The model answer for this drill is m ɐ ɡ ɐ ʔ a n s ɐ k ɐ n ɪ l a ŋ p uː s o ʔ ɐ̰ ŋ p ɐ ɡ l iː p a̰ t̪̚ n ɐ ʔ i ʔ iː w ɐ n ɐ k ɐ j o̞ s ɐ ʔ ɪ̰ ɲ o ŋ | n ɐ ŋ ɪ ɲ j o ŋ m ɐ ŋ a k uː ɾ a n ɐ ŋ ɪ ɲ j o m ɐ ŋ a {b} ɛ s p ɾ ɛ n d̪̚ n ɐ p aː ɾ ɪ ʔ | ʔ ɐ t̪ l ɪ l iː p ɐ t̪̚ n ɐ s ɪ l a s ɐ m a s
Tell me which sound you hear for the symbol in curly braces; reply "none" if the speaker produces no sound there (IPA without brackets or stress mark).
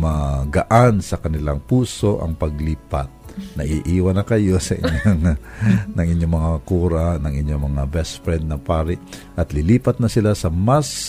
b